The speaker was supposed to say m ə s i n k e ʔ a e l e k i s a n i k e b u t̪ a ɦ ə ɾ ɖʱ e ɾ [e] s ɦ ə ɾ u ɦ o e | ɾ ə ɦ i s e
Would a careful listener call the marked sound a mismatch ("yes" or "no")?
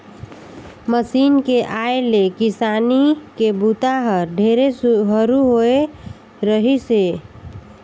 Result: no